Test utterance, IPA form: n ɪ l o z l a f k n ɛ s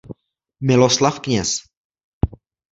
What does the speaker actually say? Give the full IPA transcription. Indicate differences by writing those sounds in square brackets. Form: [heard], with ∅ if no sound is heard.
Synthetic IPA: [m] ɪ l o [s] l a f k [ɲ] ɛ s